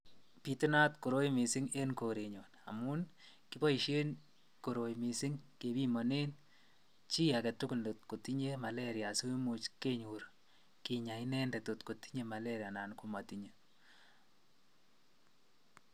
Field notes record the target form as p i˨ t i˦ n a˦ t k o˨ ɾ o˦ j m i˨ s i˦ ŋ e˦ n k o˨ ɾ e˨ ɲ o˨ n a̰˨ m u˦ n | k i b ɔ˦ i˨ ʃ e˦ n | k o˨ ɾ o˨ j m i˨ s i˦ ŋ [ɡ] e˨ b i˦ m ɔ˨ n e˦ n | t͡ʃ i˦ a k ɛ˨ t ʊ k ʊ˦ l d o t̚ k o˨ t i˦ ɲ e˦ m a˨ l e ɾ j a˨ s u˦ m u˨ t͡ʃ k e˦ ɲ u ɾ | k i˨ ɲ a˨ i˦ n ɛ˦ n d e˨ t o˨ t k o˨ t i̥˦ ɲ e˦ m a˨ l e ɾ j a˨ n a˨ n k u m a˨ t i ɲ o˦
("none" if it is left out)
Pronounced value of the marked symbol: k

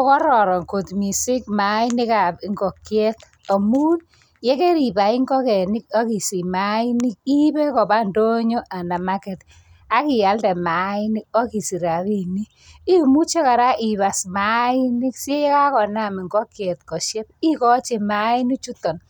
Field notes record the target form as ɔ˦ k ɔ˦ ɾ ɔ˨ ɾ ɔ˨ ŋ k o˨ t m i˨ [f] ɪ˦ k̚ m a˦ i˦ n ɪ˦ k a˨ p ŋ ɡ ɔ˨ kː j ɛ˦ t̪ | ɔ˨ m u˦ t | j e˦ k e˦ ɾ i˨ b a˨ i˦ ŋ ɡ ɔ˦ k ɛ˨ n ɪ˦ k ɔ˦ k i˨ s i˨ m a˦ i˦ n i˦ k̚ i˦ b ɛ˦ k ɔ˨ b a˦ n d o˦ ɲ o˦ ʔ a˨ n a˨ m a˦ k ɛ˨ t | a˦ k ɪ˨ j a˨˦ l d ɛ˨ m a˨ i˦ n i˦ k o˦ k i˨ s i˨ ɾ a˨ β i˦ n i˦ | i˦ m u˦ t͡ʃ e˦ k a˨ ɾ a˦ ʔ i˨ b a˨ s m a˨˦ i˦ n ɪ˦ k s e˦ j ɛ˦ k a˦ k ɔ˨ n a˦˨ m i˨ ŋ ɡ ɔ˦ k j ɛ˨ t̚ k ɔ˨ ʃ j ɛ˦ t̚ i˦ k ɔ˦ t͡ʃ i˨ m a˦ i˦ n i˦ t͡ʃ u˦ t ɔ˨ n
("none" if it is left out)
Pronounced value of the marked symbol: s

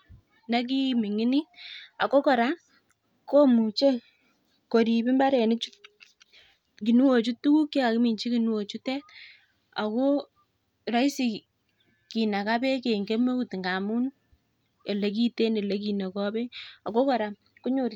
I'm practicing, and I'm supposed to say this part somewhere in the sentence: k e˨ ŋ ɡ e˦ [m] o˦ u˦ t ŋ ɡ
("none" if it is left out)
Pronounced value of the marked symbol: m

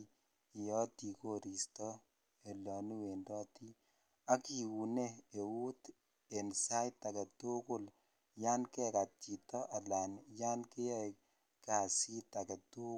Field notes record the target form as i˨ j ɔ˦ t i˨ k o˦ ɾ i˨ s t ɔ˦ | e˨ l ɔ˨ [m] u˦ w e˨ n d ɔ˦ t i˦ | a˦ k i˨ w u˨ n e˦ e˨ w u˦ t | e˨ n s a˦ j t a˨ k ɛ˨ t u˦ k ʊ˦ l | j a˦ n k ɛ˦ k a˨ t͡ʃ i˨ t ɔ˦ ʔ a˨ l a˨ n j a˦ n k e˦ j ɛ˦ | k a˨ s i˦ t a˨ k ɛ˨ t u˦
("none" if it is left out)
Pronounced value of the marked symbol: n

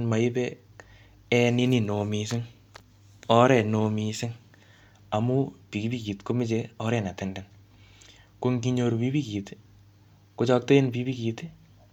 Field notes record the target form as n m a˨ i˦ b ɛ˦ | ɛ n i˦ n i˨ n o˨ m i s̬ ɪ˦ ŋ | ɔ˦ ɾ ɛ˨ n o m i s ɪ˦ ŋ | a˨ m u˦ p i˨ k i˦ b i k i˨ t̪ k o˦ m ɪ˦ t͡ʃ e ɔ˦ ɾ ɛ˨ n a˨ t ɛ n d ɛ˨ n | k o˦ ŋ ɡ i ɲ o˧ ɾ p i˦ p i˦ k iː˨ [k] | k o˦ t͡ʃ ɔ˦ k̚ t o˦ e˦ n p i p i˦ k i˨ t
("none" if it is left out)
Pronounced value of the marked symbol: t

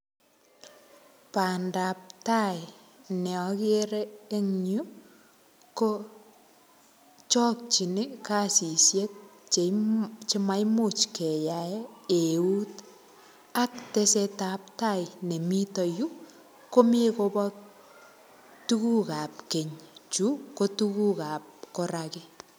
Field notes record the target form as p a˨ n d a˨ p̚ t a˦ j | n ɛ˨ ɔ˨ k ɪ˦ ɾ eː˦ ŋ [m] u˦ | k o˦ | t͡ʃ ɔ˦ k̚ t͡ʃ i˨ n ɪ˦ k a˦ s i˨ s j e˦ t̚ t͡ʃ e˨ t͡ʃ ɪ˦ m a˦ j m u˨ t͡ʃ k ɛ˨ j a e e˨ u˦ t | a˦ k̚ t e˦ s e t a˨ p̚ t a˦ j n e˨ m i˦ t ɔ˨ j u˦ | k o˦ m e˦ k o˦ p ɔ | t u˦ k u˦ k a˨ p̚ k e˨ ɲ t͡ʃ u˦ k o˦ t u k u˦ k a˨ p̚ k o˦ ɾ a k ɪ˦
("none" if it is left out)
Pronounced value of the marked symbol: ɲ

